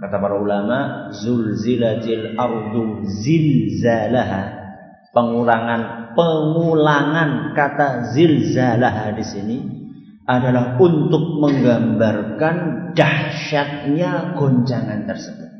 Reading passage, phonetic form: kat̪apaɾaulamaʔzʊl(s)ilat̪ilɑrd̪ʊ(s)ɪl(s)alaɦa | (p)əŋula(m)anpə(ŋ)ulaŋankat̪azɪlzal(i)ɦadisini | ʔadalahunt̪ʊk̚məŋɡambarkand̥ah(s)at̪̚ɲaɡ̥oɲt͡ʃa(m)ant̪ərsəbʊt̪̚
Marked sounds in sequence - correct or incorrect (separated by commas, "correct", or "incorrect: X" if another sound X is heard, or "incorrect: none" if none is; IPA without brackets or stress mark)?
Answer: incorrect: z, incorrect: z, incorrect: z, correct, incorrect: ŋ, correct, incorrect: a, incorrect: ʃ, incorrect: ŋ